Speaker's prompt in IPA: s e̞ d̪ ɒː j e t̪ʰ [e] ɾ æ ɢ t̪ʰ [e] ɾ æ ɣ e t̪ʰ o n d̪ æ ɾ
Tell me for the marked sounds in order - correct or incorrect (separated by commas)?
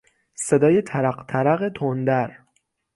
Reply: incorrect, incorrect